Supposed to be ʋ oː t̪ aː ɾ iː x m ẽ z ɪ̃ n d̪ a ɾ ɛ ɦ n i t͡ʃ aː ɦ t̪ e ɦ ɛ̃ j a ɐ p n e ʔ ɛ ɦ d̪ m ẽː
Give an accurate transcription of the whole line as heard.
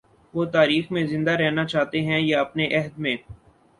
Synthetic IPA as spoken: ʋ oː t̪ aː ɾ iː x m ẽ z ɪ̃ n d̪ a ɾ ɛ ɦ n a t͡ʃ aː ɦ t̪ e ɦ ɛ̃ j a ɐ p n e ʔ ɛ ɦ d̪ m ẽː